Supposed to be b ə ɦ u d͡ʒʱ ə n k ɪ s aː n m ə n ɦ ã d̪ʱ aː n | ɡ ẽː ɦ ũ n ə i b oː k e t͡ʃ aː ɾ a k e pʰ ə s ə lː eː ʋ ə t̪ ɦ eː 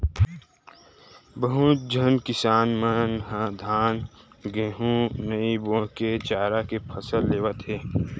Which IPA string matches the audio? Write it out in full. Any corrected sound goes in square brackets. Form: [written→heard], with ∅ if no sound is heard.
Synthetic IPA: b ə ɦ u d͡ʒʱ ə n k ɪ s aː n m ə n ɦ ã d̪ʱ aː n | ɡ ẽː ɦ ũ n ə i b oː k e t͡ʃ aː ɾ a k e pʰ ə s ə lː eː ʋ ə t̪ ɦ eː